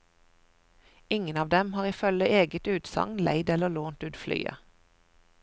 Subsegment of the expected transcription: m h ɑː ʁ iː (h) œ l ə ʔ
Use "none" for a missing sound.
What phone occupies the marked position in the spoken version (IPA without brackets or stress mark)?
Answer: f